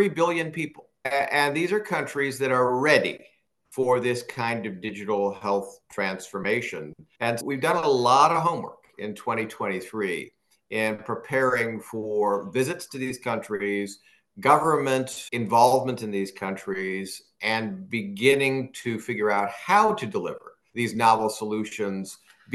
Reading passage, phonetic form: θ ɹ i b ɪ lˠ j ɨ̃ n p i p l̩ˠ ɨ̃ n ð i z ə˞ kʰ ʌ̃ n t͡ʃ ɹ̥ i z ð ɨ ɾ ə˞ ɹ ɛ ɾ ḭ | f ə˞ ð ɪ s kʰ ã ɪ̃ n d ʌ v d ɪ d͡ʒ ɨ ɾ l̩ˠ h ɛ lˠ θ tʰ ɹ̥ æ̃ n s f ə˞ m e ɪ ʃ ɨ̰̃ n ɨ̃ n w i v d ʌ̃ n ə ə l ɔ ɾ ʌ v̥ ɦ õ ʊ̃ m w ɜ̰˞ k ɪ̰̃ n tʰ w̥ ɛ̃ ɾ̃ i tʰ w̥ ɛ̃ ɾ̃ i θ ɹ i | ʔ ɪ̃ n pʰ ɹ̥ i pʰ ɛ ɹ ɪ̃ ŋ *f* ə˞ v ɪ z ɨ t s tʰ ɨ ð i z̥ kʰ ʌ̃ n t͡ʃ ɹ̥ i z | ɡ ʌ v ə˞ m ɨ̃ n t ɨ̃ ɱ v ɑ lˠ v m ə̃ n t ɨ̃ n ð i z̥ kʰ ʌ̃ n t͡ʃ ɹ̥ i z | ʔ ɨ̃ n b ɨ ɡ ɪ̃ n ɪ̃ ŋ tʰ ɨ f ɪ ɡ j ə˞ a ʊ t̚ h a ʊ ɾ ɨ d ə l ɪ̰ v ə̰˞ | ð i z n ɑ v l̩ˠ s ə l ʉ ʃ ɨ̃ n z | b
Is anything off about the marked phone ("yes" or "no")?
no